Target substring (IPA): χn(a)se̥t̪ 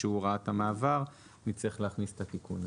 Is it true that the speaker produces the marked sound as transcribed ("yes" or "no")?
no